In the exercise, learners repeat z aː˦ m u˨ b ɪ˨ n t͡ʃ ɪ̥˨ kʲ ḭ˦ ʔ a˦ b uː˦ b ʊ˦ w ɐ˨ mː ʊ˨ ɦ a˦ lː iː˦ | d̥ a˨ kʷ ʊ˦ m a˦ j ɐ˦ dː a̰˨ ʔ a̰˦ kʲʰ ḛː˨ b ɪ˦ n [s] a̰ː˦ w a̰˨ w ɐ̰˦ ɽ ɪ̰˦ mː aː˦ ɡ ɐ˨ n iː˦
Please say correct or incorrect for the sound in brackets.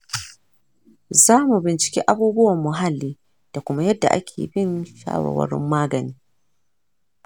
incorrect